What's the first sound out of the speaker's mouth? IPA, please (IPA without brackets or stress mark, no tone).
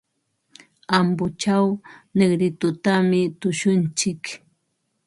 a